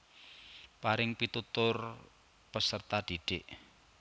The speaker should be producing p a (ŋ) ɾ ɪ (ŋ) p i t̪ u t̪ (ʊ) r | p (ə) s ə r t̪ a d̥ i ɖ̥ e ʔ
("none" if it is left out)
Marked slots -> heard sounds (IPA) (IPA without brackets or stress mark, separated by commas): none, ŋ, ʊ, ə